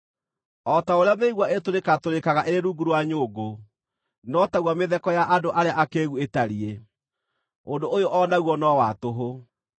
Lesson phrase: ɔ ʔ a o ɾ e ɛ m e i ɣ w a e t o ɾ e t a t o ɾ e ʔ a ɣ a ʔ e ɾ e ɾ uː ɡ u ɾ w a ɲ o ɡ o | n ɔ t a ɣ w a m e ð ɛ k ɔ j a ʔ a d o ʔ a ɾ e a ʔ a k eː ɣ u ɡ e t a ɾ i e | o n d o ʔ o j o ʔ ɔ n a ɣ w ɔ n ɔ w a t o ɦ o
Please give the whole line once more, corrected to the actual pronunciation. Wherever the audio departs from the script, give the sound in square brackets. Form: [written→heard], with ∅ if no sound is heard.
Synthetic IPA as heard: ɔ [ʔ→t] a o ɾ e [ɛ→a] m e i ɣ w a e t o ɾ e [t→k] a t o ɾ e [ʔ→k] a ɣ a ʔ e ɾ e ɾ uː ɡ u ɾ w a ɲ o ɡ o | n ɔ t a ɣ w a m e ð ɛ k ɔ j a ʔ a d o ʔ a ɾ e a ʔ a k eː ɣ u [ɡ→∅] e t a ɾ i e | o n d o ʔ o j o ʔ ɔ n a ɣ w ɔ n ɔ w a t o ɦ o